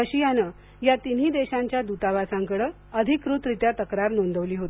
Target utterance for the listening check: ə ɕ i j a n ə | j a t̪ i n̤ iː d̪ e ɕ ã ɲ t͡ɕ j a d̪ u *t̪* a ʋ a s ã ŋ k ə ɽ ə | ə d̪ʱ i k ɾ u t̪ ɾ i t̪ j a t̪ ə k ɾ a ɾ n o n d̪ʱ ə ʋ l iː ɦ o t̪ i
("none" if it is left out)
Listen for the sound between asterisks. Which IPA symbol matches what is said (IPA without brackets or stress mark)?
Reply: t̪